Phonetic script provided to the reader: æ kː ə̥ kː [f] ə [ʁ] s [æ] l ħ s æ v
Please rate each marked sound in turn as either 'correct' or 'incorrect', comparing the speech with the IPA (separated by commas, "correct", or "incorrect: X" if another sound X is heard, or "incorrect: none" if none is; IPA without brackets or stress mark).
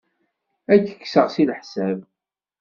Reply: incorrect: s, correct, incorrect: i